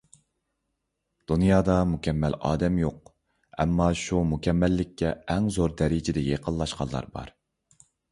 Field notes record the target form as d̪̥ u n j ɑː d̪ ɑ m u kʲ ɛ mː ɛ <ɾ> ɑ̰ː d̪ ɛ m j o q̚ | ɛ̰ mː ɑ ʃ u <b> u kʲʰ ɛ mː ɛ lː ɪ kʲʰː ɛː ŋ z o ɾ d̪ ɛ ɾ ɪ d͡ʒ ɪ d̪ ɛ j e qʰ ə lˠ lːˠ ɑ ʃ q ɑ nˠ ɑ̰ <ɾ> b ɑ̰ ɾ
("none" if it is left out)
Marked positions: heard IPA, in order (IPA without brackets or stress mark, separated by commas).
l, m, ɾ